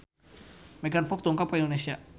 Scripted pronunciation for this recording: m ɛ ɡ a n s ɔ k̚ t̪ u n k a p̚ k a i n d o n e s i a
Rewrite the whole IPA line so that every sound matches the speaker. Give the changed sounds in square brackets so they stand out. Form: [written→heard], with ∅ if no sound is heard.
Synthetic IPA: m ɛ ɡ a n [s→f] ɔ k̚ t̪ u [n→ŋ] k a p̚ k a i n d o n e s i a